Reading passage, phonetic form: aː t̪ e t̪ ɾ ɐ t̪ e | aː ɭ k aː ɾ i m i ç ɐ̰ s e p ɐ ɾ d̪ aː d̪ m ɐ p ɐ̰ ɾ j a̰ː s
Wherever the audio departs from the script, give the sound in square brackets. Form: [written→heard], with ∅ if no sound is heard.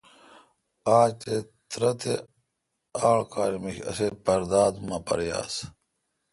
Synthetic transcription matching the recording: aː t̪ e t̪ ɾ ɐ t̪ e | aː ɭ k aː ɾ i m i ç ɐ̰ s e p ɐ ɾ d̪ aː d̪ m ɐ p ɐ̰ ɾ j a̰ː s